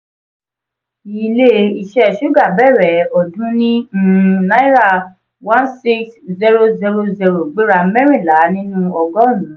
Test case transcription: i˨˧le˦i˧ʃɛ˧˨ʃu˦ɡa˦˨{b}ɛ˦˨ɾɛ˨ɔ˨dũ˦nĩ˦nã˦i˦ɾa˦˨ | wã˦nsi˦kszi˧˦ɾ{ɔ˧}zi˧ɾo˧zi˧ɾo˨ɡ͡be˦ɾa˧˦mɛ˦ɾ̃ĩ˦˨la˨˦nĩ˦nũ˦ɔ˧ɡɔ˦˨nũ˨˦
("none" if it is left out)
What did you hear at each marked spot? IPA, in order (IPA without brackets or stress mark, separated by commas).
b, o˧